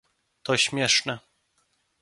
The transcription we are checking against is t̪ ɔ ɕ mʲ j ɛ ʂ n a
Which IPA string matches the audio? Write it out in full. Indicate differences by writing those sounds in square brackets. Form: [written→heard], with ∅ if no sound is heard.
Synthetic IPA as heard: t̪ ɔ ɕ mʲ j ɛ ʂ n [a→ɛ]